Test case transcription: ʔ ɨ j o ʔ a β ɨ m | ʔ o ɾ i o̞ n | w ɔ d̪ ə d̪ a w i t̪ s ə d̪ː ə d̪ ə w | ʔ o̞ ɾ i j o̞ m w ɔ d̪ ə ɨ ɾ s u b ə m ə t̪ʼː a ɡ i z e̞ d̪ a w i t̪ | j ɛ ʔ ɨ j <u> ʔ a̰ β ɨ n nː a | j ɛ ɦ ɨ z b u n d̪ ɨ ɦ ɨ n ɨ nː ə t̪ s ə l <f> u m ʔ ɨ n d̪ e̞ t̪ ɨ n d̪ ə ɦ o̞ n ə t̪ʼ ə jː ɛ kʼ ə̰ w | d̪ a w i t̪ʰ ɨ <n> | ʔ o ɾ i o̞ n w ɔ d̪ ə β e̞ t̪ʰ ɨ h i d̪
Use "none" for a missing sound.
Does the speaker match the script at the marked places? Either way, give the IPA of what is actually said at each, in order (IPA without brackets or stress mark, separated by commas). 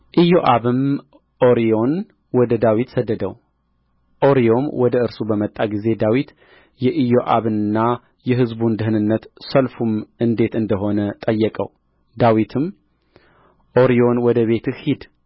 o, f, m